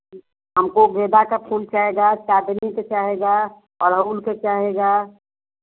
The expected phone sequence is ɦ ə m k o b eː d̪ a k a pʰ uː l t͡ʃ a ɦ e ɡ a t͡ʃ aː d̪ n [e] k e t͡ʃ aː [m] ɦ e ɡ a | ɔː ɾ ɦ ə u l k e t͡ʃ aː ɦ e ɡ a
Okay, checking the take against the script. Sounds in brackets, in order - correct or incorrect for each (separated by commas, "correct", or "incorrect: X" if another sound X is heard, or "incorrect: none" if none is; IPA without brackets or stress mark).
incorrect: i, incorrect: none